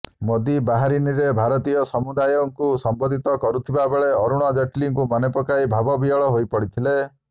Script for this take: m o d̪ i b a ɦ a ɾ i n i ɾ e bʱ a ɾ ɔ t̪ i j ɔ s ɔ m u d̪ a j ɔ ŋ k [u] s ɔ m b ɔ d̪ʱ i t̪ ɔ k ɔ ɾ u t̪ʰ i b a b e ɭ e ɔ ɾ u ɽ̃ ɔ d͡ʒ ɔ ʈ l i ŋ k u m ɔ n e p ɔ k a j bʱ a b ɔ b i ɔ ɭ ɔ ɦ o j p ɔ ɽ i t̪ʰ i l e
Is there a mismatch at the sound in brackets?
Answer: no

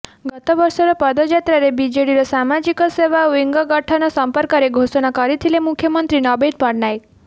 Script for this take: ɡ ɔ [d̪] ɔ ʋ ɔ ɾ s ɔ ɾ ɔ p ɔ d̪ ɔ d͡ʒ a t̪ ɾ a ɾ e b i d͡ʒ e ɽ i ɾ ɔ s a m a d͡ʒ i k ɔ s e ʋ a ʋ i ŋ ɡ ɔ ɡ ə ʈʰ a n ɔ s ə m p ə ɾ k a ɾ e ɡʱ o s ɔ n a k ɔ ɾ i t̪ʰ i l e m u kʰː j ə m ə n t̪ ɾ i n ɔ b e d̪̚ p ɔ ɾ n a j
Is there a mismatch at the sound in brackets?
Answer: yes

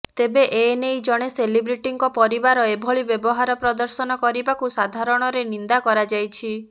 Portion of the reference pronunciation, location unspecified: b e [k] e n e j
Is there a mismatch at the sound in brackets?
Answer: yes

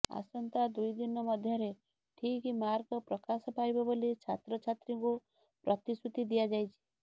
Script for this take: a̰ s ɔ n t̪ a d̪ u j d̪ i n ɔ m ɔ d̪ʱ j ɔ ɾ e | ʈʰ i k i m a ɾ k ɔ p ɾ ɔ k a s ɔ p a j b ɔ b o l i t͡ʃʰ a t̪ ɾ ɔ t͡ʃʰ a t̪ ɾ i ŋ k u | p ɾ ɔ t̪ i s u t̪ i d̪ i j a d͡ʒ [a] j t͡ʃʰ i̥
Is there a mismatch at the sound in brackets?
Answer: no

